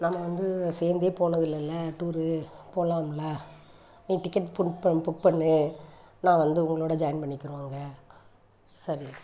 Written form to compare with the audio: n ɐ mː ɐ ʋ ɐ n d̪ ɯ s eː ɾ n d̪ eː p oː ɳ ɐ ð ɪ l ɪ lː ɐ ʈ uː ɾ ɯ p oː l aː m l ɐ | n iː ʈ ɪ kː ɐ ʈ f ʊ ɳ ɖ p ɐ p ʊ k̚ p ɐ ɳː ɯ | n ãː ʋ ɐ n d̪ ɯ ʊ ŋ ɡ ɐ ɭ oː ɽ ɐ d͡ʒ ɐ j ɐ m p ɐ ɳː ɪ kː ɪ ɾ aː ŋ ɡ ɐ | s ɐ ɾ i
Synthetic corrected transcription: n ɐ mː ɐ ʋ ɐ n d̪ ɯ s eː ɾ n d̪ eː p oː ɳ ɐ ð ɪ l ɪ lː ɐ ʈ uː ɾ ɯ p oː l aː m l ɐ | n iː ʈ ɪ kː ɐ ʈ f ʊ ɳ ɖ p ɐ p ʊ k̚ p ɐ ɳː ɯ | n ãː ʋ ɐ n d̪ ɯ ʊ ŋ ɡ ɐ ɭ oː ɽ ɐ d͡ʒ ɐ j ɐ n p ɐ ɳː ɪ kː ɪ ɾ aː ŋ ɡ ɐ | s ɐ ɾ i